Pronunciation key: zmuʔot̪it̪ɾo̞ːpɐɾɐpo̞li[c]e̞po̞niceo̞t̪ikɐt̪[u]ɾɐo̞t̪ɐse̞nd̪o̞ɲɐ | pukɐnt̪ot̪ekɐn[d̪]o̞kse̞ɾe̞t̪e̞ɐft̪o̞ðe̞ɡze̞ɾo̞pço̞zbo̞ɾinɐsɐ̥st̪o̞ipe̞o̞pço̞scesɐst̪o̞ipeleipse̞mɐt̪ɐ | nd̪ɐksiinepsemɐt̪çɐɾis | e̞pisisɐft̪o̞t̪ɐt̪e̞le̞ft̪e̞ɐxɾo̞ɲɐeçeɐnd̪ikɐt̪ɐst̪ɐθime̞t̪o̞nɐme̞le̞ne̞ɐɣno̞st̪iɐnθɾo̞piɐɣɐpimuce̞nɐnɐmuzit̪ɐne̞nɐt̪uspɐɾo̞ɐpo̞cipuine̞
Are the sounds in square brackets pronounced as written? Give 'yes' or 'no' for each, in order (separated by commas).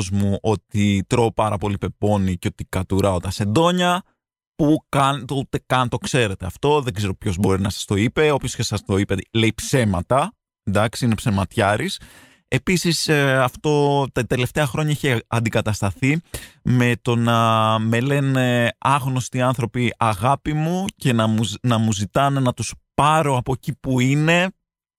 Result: no, yes, no